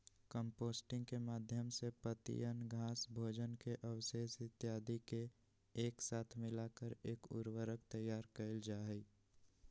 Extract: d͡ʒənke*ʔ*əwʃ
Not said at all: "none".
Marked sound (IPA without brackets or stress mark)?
ʔ